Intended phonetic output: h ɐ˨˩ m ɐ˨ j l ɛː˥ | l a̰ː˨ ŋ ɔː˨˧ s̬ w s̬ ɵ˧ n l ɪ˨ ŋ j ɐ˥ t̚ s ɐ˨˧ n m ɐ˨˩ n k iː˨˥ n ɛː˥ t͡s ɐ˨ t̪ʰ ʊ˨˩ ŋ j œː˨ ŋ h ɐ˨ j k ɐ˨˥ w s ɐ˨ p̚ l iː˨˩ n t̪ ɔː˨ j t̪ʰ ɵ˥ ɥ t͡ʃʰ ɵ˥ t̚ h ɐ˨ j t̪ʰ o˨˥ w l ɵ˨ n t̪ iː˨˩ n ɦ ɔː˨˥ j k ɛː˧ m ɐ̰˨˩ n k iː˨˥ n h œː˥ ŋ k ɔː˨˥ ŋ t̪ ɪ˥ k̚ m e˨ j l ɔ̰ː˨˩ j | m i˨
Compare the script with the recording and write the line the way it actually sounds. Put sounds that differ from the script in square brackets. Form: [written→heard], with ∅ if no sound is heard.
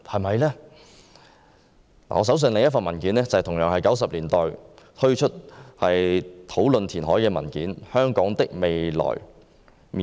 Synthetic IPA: h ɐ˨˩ m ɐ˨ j l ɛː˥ | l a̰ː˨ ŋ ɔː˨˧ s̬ w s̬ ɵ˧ n l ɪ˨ ŋ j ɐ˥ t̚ [s→f] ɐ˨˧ n m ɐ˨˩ n k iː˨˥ n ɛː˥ t͡s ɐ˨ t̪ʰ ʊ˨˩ ŋ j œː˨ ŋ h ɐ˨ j k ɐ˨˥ w s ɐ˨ p̚ l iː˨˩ n t̪ ɔː˨ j t̪ʰ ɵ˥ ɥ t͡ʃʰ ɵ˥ t̚ h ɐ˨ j t̪ʰ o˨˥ w l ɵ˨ n [t̪→t̪ʰ] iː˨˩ n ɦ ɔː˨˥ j k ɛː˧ m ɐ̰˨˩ n k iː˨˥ n h œː˥ ŋ k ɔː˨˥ ŋ t̪ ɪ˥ k̚ m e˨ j l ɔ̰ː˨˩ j | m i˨